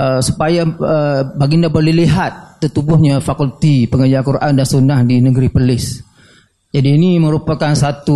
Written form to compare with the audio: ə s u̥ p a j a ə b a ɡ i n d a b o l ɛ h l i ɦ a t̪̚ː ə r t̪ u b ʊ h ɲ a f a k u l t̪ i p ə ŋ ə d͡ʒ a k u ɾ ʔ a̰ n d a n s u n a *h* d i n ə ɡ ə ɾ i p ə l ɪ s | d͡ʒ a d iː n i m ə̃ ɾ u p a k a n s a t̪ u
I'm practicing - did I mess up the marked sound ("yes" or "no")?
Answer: no